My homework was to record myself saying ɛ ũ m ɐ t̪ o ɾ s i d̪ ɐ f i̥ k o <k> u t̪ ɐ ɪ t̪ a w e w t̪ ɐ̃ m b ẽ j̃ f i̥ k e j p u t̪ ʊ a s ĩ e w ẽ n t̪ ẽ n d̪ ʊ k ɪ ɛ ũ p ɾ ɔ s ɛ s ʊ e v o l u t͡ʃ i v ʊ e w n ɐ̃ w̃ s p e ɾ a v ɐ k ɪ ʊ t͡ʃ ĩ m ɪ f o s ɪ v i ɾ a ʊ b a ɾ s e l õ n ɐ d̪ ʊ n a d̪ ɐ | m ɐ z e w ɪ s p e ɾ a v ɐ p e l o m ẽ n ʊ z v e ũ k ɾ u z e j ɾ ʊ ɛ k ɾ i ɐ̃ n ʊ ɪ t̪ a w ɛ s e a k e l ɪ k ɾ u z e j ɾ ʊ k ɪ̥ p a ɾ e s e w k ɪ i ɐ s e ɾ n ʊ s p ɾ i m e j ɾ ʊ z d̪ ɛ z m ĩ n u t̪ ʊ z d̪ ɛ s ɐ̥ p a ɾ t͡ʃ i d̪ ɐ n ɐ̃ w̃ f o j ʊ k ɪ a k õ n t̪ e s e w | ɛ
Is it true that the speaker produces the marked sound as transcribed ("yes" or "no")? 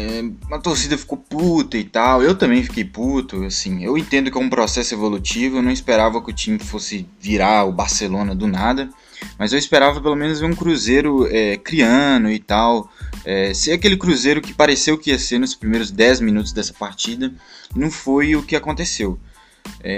no